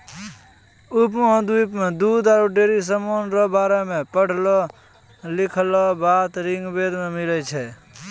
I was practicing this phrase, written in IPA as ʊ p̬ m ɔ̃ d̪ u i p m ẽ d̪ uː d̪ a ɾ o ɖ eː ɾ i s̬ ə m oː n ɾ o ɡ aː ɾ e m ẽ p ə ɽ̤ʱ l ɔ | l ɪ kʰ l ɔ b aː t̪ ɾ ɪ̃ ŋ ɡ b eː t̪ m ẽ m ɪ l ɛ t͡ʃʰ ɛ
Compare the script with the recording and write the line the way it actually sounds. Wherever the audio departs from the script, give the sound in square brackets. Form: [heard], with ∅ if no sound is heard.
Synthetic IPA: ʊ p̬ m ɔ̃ d̪ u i p m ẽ d̪ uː d̪ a ɾ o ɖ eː ɾ i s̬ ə m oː n ɾ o [b] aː ɾ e m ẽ p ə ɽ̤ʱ l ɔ | l ɪ kʰ l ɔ b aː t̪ ɾ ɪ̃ ŋ ɡ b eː [d̪] m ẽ m ɪ l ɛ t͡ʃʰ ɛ